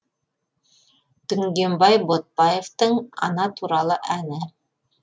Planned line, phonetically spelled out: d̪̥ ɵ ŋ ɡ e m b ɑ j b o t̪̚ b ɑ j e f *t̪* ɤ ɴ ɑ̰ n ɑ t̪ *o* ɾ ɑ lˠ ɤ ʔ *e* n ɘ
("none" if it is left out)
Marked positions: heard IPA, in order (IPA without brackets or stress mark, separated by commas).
t̪, u, æ